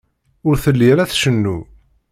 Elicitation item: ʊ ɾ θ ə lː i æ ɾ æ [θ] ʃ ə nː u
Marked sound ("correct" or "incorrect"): correct